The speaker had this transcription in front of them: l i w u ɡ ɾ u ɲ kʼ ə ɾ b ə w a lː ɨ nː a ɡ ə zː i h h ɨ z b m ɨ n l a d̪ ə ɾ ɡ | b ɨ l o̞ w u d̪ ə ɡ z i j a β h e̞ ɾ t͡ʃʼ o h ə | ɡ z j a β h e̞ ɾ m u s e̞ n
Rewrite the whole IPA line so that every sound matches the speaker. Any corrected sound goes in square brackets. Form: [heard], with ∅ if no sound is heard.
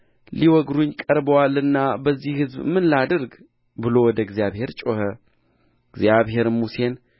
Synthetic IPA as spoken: l i w [ɔ] ɡ ɾ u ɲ kʼ ə ɾ b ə w a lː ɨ nː a [b] ə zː i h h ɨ z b m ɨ n l a d̪ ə ɾ ɡ | b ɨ l o̞ w [ɔ] d̪ ə ɡ z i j a β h e̞ ɾ t͡ʃʼ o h ə | ɡ z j a β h e̞ ɾ m u s e̞ n